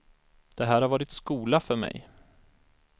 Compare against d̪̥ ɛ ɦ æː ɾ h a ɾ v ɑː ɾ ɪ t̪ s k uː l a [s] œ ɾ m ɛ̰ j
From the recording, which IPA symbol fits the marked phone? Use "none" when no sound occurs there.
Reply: f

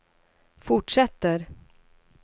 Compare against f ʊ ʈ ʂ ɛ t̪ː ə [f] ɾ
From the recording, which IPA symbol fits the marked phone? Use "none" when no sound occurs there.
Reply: none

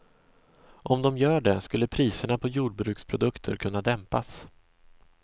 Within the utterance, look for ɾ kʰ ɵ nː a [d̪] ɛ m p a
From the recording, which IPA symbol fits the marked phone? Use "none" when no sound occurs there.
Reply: d̪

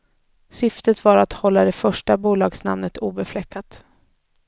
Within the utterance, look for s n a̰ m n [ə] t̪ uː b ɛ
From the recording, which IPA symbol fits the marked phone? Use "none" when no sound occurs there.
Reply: ə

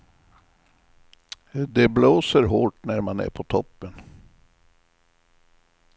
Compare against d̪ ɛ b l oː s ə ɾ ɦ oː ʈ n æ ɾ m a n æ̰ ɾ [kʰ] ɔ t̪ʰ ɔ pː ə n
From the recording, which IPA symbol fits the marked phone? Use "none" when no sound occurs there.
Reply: pʰ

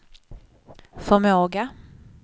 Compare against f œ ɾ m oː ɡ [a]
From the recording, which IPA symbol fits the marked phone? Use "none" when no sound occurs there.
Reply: a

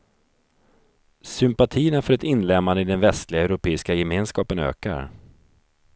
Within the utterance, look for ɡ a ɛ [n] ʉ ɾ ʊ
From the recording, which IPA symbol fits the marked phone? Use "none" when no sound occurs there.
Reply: none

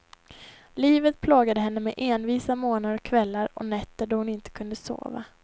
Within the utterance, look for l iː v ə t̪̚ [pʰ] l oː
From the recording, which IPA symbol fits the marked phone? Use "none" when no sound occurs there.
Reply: pʰ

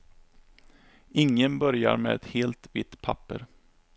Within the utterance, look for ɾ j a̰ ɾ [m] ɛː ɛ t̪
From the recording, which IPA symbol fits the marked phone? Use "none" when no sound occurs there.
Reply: m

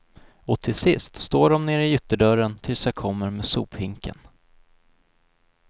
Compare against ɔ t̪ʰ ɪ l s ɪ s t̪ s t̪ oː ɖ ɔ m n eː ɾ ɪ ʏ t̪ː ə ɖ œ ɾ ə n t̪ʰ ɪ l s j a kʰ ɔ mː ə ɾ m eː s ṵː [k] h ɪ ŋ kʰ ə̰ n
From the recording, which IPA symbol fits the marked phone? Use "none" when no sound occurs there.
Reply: p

